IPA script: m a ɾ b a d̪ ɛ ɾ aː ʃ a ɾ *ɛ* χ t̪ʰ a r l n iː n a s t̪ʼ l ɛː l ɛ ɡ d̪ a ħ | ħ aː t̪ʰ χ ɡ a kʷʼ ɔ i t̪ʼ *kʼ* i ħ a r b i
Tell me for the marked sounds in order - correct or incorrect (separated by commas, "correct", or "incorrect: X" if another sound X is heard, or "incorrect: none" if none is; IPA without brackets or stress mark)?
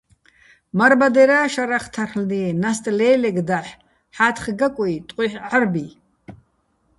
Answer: incorrect: a, incorrect: qʼ